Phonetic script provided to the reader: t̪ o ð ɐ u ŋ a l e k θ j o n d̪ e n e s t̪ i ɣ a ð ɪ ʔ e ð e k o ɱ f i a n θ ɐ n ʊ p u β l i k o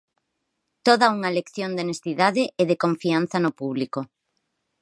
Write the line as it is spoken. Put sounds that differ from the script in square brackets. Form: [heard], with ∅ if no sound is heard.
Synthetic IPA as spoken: t̪ o ð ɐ u ŋ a l e k θ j o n d̪ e n e s t̪ i [ð] a ð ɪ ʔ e ð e k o ɱ f i a n θ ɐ n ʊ p u β l i k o